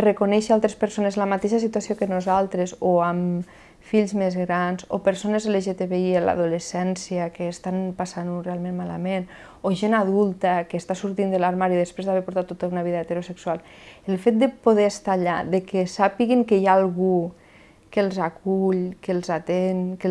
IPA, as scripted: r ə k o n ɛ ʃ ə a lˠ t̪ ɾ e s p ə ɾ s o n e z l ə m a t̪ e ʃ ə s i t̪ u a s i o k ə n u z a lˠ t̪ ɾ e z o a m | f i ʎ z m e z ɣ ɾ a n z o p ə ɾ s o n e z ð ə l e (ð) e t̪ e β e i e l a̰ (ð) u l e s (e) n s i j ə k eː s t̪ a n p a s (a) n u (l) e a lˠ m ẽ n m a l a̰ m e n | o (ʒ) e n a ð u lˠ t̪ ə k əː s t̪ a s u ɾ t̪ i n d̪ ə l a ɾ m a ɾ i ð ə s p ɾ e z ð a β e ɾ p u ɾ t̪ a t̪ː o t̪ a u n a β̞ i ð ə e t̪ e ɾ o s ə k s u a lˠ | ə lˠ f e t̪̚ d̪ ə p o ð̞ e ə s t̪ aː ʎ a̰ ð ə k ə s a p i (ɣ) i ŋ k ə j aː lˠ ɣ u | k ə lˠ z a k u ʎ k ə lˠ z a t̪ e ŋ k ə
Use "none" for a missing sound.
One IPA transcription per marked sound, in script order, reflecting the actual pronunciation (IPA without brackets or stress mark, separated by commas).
ʒ, ð, ɛ, a, r, ʒ, ɣ